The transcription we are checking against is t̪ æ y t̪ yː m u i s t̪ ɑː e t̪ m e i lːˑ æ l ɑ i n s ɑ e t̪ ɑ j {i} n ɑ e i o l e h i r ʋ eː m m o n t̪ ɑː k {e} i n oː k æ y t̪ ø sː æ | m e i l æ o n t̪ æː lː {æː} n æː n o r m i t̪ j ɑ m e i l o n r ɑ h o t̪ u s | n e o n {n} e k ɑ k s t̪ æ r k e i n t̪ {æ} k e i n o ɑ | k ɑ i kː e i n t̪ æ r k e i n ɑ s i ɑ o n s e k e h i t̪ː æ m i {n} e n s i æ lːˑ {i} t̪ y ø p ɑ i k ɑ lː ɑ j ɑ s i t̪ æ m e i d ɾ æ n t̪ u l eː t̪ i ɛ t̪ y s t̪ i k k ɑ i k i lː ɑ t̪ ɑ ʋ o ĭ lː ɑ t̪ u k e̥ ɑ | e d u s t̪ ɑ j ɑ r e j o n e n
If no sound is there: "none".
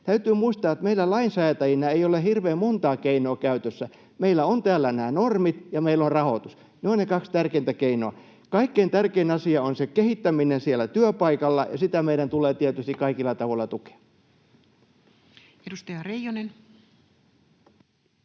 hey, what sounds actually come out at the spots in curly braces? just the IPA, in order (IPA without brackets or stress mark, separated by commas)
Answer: i, e, æ, n, æ, n, æ